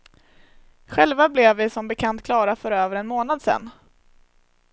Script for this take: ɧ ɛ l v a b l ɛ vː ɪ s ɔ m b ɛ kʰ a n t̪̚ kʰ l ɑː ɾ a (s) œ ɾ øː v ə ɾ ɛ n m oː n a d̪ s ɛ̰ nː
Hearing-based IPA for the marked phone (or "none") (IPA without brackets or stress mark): f